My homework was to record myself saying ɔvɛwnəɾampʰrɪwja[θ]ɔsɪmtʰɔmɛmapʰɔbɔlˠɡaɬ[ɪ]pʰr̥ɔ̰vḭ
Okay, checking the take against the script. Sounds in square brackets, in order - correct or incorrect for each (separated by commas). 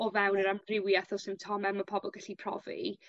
correct, incorrect